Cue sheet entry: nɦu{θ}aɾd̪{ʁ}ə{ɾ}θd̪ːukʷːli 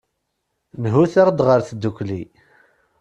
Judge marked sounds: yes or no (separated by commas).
yes, yes, yes